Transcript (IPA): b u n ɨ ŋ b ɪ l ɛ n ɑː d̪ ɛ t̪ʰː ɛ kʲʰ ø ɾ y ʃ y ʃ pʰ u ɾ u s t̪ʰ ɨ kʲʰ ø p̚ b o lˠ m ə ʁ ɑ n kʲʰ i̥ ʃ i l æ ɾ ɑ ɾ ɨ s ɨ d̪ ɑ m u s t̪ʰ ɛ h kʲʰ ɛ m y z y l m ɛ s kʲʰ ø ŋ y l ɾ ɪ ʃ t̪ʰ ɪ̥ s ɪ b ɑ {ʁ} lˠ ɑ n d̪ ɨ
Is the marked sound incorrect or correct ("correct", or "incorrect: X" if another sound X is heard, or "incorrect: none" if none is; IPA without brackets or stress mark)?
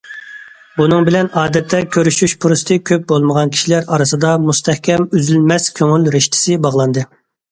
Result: correct